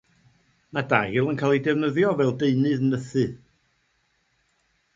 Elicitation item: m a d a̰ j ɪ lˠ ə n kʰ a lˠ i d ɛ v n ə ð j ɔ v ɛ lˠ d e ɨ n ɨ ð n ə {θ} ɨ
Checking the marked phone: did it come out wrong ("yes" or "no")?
no